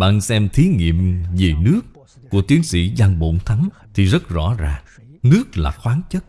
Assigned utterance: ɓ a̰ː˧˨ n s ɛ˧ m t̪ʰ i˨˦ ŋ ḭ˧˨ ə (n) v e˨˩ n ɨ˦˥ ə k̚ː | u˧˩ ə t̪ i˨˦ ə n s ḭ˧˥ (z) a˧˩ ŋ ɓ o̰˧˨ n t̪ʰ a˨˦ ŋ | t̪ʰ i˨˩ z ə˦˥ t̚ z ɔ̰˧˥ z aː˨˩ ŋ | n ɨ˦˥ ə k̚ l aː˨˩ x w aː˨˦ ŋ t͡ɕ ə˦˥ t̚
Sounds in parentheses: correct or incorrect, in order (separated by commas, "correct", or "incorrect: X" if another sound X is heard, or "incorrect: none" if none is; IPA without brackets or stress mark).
incorrect: m, correct